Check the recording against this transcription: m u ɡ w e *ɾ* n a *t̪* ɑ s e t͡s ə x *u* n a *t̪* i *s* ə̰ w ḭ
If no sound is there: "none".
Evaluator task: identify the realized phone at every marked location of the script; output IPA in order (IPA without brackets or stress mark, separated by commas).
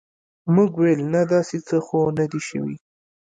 l, d̪, o, d̪, ʃ